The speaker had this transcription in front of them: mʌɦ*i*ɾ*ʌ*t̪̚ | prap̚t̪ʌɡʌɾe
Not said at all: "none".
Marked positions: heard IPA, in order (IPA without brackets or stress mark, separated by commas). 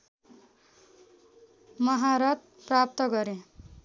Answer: a, ʌ